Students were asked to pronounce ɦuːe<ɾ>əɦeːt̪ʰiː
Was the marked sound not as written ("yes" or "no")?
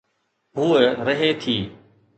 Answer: no